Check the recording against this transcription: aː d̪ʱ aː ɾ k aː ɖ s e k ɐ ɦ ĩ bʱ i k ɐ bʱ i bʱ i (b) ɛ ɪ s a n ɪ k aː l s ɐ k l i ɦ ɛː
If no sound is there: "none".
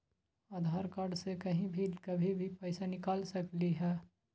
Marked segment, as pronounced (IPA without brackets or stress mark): p